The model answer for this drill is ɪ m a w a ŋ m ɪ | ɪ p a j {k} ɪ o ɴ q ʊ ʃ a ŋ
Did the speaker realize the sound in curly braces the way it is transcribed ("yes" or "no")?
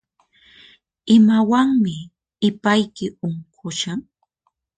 yes